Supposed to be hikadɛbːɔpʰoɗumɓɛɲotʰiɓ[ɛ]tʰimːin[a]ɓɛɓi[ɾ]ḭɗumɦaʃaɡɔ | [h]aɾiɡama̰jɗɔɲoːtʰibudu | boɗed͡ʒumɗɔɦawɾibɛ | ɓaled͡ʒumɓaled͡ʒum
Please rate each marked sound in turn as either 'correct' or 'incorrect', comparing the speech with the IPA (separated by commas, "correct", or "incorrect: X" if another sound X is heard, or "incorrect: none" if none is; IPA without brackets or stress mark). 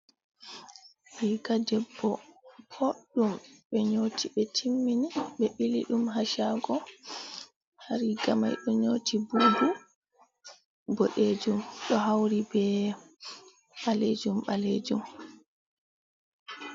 correct, incorrect: i, incorrect: l, correct